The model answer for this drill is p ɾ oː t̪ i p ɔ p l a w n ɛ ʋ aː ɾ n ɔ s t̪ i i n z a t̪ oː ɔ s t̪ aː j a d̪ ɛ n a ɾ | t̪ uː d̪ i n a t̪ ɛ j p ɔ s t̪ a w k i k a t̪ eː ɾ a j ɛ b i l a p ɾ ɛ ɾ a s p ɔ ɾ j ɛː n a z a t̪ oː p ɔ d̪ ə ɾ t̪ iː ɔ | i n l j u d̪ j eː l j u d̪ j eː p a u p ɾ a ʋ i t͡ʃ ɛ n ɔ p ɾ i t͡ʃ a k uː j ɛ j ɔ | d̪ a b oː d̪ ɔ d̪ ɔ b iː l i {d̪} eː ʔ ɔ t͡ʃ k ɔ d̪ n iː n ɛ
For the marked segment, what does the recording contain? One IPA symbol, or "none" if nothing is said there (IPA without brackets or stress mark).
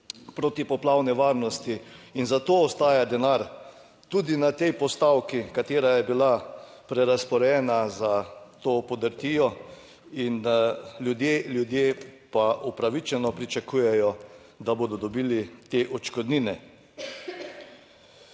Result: t̪